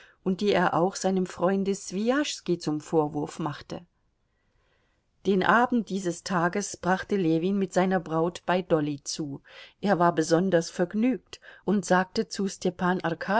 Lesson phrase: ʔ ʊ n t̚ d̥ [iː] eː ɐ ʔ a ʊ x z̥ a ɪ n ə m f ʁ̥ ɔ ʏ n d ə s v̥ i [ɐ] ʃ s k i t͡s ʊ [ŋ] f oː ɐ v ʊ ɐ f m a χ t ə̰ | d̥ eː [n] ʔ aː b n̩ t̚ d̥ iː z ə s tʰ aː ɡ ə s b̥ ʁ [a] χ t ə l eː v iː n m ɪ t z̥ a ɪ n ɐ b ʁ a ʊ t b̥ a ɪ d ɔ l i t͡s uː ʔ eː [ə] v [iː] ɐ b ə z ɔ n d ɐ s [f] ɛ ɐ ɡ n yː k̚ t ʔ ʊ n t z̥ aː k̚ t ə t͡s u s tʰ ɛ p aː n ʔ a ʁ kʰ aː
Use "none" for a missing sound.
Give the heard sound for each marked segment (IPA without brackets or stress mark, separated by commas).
iː, a, m, n, a, ɐ, aː, f